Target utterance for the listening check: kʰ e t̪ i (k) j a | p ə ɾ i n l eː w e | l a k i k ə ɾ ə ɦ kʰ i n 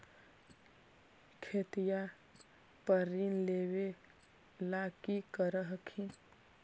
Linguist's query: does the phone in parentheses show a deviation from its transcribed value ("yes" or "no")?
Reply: yes